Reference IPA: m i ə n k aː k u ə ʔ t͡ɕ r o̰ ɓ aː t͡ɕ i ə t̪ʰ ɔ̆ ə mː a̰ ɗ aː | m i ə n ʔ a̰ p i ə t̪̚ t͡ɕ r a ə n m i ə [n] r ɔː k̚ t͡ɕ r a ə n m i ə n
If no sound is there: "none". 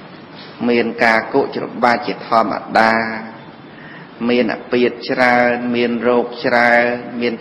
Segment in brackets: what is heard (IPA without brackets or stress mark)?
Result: n